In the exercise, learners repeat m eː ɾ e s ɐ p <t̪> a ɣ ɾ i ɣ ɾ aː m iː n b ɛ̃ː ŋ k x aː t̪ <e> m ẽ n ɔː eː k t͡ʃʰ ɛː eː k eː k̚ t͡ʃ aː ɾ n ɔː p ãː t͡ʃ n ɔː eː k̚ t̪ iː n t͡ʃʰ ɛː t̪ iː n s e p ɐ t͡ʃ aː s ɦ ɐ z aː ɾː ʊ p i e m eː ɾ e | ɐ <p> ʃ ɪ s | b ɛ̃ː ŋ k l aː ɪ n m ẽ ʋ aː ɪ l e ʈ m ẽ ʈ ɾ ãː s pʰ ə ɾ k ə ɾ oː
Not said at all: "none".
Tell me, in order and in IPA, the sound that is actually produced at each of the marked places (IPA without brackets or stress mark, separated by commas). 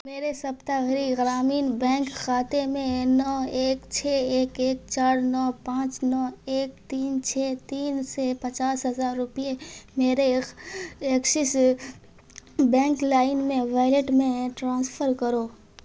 t̪, e, k